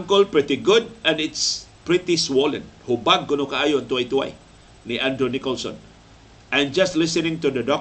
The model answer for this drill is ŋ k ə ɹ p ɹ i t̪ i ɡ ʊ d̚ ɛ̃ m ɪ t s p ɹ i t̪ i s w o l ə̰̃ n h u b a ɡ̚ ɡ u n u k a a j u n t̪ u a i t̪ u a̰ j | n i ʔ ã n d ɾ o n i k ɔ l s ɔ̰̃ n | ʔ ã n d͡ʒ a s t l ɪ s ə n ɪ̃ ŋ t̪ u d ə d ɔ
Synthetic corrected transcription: ŋ k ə l p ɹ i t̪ i ɡ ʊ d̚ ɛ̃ n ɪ t s p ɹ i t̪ i s w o l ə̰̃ n h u b a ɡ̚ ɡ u n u k a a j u n t̪ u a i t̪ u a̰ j | n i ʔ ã n d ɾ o n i k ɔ l s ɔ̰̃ n | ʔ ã n d͡ʒ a s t l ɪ s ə n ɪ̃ ŋ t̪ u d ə d ɔ